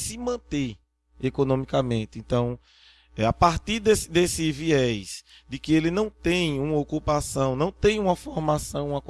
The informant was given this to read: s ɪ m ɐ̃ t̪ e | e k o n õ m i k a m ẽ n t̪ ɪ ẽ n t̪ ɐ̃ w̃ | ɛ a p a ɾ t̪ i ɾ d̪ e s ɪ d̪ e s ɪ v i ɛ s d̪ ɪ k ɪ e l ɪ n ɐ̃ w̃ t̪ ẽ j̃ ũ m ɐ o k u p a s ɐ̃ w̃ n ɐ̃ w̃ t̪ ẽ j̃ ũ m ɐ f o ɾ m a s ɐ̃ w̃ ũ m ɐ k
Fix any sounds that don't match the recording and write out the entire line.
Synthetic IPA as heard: s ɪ m ɐ̃ t̪ e | e k o n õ m i k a m ẽ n t̪ ɪ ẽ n t̪ ɐ̃ w̃ | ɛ a p a ɾ t̪ i ɾ d̪ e s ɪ d̪ e s ɪ v i ɛ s d̪ ɪ k ɪ e l ɪ n ɐ̃ w̃ t̪ ẽ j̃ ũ m ɐ o k u p a s ɐ̃ w̃ n ɐ̃ w̃ t̪ ẽ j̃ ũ m ɐ f o ɾ m a s ɐ̃ w̃ ũ m ɐ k